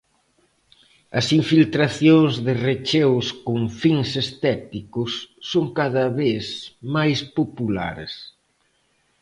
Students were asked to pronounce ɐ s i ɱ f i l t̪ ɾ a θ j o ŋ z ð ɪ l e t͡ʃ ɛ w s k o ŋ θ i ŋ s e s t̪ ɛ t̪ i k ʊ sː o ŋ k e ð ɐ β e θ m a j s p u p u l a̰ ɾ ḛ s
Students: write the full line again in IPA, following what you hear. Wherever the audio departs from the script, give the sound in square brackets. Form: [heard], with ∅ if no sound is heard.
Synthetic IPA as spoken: ɐ s i ɱ f i l t̪ ɾ a θ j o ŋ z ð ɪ [r] e t͡ʃ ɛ w s k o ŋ [f] i ŋ s e s t̪ ɛ t̪ i k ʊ sː o ŋ k [a] ð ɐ β e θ m a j s p [o] p u l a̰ ɾ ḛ s